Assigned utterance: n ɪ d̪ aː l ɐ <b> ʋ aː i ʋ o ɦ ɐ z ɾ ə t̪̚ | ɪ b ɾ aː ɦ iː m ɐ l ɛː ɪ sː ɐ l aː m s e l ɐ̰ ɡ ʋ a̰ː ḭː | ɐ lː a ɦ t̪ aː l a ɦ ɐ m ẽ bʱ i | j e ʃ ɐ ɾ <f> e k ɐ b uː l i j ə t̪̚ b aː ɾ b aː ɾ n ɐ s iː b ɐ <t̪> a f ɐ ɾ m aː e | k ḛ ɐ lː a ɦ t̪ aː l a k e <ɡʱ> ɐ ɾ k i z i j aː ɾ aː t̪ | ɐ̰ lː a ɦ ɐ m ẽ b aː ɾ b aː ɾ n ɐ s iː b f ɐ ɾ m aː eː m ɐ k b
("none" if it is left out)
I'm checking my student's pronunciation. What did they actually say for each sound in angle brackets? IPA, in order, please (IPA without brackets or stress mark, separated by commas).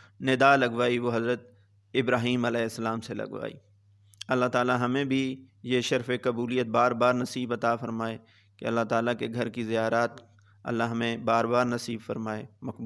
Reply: ɡ, f, t̪, ɡʱ